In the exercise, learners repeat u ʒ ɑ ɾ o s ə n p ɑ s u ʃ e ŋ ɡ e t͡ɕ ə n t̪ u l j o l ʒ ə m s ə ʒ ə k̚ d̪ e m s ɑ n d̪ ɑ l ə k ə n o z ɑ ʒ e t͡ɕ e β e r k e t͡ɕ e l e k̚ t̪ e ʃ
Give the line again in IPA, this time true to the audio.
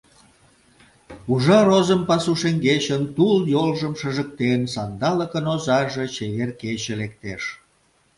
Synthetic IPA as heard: u ʒ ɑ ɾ o z ə m p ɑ s u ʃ e ŋ ɡ e t͡ɕ ə n t̪ u l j o l ʒ ə m ʃ ə ʒ ə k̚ t̪ e n s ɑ n d̪ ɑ l ə k ə n o z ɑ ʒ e t͡ɕ e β e r k e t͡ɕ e l e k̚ t̪ e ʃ